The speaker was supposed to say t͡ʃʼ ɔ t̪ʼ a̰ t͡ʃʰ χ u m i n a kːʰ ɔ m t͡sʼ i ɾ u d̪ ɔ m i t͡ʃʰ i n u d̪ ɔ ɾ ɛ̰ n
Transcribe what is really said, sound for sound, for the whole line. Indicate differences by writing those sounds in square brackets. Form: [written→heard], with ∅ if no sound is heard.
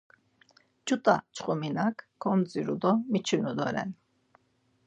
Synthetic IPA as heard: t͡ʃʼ [ɔ→u] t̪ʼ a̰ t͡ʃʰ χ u m i n a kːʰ ɔ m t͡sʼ i ɾ u d̪ ɔ m i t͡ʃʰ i n u d̪ ɔ ɾ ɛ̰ n